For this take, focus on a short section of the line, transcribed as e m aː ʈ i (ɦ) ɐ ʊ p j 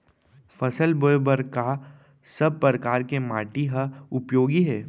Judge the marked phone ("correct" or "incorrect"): correct